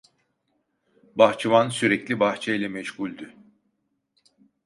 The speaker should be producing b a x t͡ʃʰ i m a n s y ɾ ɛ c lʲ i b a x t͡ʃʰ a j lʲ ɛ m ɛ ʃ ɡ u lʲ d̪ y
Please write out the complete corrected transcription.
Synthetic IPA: b a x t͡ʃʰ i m a n s y ɾ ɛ c lʲ i b a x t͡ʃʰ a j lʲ ɛ m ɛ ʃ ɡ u lʲ d̪ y